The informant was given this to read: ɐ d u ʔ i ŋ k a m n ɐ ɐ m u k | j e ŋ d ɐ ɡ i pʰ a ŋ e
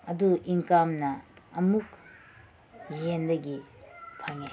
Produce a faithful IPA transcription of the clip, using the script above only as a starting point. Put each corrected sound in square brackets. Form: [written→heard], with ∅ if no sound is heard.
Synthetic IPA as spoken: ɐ d u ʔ i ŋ k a m n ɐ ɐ m u k | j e [ŋ→n] d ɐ ɡ i pʰ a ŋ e